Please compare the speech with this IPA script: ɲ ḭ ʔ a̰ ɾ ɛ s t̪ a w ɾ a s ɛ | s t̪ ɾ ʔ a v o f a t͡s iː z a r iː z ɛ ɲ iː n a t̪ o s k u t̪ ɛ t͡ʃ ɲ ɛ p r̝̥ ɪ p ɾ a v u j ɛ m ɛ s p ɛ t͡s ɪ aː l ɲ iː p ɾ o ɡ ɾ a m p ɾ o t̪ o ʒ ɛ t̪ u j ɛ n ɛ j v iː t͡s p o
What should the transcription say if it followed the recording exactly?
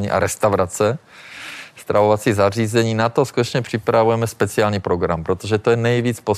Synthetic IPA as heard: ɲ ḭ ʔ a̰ ɾ ɛ s t̪ a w ɾ a t͡s ɛ | s t̪ ɾ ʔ a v o v a t͡s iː z a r iː z ɛ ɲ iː n a t̪ o s k u t̪ ɛ t͡ʃ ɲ ɛ p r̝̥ ɪ p ɾ a v u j ɛ m ɛ s p ɛ t͡s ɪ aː l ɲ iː p ɾ o ɡ ɾ a m p ɾ o t̪ o ʒ ɛ t̪ o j ɛ n ɛ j v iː t͡s p o